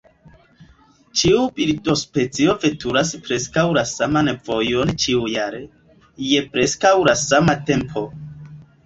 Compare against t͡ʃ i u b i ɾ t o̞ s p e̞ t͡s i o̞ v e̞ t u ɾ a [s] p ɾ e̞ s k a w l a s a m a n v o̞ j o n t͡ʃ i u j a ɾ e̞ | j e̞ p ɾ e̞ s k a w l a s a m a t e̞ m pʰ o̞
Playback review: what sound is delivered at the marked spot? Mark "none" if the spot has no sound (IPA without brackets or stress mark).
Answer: s